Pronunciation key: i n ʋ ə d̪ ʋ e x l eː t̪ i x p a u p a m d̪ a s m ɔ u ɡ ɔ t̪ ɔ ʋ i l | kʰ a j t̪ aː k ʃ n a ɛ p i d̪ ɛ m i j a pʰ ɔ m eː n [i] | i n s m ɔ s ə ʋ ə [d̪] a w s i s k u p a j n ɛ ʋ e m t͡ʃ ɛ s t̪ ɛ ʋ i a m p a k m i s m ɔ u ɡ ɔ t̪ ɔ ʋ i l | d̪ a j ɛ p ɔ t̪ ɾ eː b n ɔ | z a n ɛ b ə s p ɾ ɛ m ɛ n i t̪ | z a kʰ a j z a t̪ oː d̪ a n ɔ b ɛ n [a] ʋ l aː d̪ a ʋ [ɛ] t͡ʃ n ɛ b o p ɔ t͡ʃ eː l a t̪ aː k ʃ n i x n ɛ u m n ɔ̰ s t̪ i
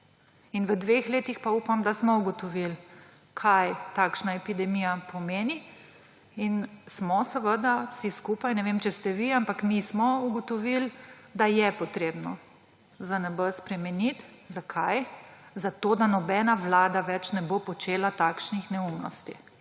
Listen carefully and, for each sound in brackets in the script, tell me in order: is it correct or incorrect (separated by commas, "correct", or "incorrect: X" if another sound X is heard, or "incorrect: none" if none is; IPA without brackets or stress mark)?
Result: correct, correct, correct, correct